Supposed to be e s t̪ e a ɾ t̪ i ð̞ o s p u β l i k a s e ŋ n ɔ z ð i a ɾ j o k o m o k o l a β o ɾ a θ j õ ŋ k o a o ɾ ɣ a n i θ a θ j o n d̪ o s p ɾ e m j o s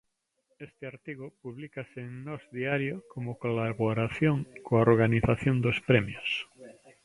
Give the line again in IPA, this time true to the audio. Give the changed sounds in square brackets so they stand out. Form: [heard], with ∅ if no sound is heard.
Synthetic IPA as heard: e s t̪ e a ɾ t̪ i [ɣ̞] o [∅] p u β l i k a s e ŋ n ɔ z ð i a ɾ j o k o m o k o l a β o ɾ a θ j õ ŋ k o a o ɾ ɣ a n i θ a θ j o n d̪ o s p ɾ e m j o s